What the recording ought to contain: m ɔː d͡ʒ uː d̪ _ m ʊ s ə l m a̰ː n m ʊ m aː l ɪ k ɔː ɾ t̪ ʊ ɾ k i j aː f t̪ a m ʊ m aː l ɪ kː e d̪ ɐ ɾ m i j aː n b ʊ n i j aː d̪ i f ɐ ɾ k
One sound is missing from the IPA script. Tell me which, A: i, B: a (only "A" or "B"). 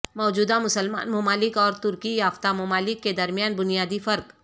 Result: B